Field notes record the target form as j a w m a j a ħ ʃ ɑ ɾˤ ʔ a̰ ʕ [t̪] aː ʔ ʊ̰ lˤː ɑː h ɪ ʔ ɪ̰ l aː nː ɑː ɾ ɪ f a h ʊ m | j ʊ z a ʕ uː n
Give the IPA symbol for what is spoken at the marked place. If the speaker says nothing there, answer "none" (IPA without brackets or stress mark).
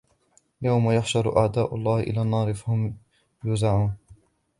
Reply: d̪